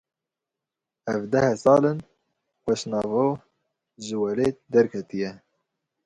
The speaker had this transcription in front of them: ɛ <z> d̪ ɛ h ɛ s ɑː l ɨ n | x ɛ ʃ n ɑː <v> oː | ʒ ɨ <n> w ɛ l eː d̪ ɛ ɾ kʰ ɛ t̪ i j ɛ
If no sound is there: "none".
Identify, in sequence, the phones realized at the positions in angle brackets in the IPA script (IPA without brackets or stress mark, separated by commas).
v, v, none